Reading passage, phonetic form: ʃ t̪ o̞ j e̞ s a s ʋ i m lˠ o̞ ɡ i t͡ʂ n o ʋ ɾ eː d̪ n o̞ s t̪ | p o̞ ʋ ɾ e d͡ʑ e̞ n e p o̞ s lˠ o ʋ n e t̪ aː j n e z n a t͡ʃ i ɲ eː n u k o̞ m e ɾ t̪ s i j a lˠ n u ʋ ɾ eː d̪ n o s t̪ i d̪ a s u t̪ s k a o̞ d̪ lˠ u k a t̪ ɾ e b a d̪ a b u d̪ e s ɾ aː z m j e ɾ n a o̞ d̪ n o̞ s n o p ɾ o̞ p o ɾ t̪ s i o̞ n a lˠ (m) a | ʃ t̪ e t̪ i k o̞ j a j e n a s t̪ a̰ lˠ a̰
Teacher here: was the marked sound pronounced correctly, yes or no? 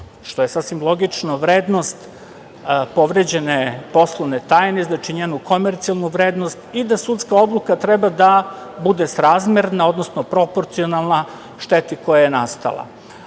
no